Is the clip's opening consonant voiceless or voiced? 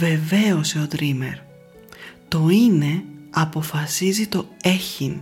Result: voiced